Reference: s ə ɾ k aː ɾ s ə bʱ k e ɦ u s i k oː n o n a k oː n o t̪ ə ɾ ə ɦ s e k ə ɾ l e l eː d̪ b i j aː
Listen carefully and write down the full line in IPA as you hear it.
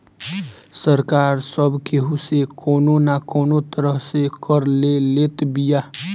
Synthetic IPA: s ə ɾ k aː ɾ s ə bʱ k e ɦ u s e k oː n o n a k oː n o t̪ ə ɾ ə ɦ s e k ə ɾ l e l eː t̪ b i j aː